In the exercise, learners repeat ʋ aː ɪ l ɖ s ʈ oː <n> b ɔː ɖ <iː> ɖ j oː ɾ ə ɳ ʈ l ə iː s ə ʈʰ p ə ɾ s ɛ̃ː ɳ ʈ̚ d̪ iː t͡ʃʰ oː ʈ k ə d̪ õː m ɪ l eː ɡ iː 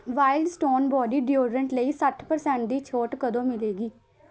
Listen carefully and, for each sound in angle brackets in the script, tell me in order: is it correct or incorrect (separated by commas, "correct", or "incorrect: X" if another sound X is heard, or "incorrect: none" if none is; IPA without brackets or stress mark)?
correct, correct